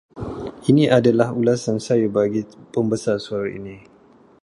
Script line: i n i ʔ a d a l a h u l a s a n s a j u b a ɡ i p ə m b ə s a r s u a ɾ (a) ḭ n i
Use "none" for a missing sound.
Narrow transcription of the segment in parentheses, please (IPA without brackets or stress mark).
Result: a